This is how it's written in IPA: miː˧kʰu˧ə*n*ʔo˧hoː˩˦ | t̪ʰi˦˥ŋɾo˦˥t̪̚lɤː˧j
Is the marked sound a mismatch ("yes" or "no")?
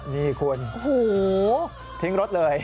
no